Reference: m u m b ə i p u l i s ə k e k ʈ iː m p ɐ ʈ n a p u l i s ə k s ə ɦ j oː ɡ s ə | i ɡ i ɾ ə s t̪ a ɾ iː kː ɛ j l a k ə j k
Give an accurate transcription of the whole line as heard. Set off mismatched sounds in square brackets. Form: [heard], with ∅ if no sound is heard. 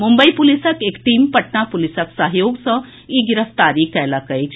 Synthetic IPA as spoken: m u m b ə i p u l i s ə k e k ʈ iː m p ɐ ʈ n a p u l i s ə k s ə ɦ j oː ɡ s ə | i ɡ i ɾ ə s t̪ a ɾ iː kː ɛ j l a k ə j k

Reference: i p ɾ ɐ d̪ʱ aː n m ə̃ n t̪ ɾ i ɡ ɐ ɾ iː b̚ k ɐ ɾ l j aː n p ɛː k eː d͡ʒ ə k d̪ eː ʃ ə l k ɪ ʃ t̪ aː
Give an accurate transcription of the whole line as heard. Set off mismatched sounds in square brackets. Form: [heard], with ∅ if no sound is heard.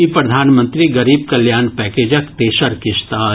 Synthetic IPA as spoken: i p ɾ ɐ d̪ʱ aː n m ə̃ n t̪ ɾ i ɡ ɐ ɾ iː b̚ k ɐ [∅] l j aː n p ɛː k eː d͡ʒ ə k [t̪] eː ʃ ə [ɾ] k ɪ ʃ t̪ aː

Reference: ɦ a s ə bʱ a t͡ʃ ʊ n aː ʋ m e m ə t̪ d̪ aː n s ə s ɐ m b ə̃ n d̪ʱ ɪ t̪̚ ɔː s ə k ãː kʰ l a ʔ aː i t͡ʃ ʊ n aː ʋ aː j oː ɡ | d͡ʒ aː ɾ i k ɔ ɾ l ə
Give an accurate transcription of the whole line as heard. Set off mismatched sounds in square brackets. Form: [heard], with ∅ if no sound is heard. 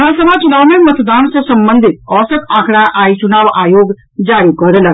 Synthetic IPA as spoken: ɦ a s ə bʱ a t͡ʃ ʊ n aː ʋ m e m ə t̪ d̪ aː n s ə s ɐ m b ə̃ n d̪ʱ ɪ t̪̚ ɔː s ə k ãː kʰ [ɽ] a ʔ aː i t͡ʃ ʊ n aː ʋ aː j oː ɡ | d͡ʒ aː ɾ i k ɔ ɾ l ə

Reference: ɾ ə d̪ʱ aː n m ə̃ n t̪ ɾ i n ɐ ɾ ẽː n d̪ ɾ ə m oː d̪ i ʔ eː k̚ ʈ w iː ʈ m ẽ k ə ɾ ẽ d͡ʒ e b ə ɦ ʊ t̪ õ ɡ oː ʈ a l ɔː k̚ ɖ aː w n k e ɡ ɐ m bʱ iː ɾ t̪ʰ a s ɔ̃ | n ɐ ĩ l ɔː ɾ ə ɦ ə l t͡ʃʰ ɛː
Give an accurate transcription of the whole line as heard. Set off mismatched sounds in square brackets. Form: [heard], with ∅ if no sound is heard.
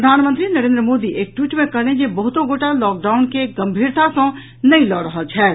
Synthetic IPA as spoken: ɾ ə d̪ʱ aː n m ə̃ n t̪ ɾ i n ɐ ɾ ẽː n d̪ ɾ ə m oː d̪ i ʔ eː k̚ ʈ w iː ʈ m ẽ k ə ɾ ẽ d͡ʒ e b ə ɦ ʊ t̪ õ ɡ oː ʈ a l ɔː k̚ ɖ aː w n k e ɡ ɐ m bʱ iː ɾ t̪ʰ a s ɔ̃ | n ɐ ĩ l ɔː ɾ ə ɦ ə l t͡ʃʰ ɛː

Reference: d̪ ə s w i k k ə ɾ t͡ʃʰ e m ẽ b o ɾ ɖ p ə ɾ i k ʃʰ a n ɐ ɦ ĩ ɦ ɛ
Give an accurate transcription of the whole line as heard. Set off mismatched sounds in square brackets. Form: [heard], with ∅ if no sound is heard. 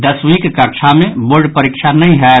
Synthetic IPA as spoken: d̪ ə s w i k k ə ɾ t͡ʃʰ [a] m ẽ b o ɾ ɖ p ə ɾ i k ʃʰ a n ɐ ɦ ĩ ɦ ɛ

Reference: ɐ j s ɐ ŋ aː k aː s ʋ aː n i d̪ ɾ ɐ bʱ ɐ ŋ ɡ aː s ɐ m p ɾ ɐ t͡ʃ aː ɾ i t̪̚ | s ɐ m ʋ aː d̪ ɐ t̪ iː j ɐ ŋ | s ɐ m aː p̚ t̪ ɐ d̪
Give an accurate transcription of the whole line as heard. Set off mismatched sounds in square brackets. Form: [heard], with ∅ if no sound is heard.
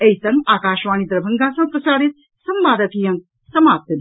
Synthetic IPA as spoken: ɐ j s ɐ ŋ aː k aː [ʃ] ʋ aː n i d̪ ɾ ɐ bʱ ɐ ŋ ɡ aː s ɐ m p ɾ ɐ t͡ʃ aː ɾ i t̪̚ | s ɐ m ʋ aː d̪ ɐ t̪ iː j ɐ ŋ | s ɐ m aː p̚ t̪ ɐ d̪

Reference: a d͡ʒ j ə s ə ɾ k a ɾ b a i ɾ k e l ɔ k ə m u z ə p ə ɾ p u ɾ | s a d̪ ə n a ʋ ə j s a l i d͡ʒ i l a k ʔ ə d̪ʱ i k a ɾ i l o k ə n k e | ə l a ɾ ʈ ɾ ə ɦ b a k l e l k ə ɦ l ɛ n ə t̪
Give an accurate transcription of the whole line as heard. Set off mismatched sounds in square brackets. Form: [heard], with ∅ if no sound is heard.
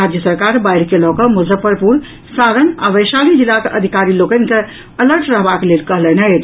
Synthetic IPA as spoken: a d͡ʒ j ə s ə ɾ k a ɾ b a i ɾ k e l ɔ k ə m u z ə p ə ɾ p u ɾ | s a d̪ ə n a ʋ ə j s a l i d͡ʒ i l a k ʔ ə d̪ʱ i k a ɾ i l o k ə n k e | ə l [ə] ɾ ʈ ɾ ə ɦ b a k l e l k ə ɦ l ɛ n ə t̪

